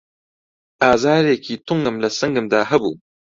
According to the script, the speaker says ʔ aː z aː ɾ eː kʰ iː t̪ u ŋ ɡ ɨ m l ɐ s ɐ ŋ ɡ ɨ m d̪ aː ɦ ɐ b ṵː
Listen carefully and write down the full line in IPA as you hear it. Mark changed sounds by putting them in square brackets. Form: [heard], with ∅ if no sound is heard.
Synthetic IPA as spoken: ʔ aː z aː ɾ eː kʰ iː t̪ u ŋ ɡ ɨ m l ɐ s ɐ ŋ ɡ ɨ m d̪ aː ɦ ɐ b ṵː